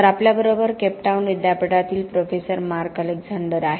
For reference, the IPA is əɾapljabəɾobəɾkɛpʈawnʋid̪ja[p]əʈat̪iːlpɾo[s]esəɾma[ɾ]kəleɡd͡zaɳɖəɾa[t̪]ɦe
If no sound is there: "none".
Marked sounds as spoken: p, f, ɾ, none

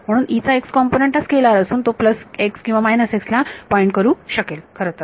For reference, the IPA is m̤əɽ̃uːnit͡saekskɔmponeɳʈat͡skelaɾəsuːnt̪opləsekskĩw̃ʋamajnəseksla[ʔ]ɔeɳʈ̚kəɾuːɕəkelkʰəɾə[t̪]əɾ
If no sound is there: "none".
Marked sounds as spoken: p, t̪

